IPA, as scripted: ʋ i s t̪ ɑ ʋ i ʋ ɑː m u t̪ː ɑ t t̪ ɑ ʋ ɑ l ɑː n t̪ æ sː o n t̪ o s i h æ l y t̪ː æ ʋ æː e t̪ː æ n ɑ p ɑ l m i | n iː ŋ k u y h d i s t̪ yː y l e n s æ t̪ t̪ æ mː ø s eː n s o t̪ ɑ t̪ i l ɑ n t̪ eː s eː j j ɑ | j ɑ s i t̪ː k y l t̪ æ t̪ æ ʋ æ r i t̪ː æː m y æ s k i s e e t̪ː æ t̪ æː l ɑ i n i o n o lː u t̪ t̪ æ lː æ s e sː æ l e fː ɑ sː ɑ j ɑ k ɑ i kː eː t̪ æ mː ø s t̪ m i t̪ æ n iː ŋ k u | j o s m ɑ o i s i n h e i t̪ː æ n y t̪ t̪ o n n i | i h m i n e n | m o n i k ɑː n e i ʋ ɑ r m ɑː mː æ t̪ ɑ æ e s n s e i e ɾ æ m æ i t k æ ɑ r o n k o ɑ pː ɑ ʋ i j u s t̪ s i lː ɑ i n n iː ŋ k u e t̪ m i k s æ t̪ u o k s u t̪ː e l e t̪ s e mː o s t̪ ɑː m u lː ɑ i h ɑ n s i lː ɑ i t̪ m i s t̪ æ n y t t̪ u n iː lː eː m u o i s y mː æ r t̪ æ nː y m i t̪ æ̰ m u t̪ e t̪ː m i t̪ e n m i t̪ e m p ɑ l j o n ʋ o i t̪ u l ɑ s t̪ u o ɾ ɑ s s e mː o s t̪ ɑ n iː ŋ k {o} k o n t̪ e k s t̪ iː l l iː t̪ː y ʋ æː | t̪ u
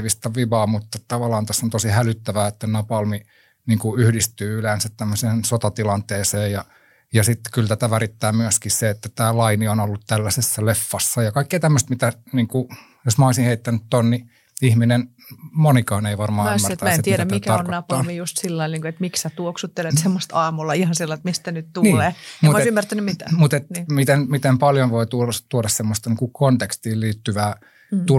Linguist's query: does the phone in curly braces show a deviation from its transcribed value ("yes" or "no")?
yes